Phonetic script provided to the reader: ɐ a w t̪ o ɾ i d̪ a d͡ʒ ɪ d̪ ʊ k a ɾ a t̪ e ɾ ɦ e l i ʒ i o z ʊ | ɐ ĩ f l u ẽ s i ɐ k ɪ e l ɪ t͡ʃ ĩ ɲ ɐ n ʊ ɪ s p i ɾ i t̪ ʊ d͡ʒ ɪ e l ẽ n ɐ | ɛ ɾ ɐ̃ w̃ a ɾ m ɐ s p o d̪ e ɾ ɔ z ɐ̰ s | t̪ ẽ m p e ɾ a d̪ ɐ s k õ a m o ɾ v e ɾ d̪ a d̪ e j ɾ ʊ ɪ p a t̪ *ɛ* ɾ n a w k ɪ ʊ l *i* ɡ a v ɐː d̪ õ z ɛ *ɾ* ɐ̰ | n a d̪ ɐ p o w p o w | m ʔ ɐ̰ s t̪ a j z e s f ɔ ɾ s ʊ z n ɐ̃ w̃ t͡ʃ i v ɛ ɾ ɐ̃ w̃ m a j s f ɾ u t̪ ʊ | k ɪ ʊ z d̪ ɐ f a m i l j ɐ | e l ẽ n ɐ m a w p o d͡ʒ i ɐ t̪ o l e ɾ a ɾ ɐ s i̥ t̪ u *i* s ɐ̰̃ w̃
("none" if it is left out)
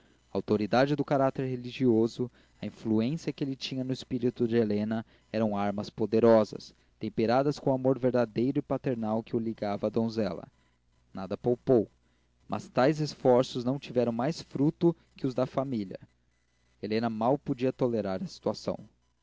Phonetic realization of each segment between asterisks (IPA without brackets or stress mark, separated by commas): e, i, l, a